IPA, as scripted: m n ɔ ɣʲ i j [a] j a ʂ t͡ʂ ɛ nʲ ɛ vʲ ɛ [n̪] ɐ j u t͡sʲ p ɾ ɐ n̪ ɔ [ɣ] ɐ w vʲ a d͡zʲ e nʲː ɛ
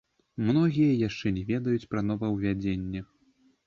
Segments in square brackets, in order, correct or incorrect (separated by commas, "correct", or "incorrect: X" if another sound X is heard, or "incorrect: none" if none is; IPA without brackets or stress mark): incorrect: ɐ, incorrect: d̪, incorrect: v